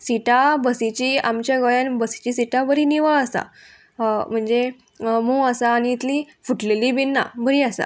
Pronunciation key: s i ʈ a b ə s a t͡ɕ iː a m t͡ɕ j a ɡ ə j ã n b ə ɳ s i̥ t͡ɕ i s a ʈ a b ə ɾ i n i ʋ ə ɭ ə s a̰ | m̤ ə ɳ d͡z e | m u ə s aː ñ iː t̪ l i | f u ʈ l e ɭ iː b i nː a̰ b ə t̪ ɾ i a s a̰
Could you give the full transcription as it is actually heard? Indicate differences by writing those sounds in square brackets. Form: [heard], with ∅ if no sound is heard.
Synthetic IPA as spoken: s i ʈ a b ə s [i] t͡ɕ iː a m t͡ɕ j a ɡ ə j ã n b ə [∅] s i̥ t͡ɕ i s [i] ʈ a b ə ɾ i n i ʋ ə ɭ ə s a̰ | m̤ ə ɳ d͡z e | m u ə s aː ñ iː t̪ l i | f u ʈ l e [l] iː b i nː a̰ b ə [∅] ɾ i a s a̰